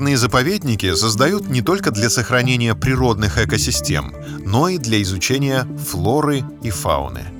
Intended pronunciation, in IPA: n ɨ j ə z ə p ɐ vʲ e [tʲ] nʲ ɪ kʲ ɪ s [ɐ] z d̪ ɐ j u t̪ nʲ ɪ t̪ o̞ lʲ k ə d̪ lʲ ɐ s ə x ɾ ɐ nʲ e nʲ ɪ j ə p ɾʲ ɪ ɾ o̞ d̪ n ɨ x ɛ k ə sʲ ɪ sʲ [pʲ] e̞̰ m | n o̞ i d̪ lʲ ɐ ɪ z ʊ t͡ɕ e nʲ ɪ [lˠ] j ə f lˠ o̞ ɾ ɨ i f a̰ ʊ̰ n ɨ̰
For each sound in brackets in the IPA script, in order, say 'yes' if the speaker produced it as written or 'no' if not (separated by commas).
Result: no, no, no, no